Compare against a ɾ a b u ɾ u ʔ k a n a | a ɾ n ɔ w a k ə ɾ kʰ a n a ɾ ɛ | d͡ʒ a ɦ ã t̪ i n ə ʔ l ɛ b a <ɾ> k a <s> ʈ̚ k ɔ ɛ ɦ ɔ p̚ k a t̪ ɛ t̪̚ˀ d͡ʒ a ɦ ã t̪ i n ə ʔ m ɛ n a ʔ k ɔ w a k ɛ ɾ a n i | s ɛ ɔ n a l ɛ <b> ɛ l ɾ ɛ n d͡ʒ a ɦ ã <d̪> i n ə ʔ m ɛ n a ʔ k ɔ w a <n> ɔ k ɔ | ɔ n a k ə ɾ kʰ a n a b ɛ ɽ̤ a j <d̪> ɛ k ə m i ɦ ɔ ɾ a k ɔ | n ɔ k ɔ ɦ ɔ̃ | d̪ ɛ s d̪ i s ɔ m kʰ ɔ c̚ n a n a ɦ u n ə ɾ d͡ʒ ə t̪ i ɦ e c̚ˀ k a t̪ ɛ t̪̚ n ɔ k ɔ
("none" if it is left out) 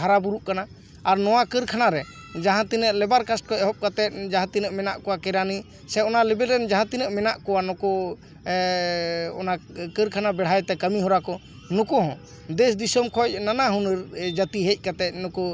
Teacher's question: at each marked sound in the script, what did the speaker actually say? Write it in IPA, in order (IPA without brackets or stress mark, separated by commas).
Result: ɾ, s, b, t̪, n, t̪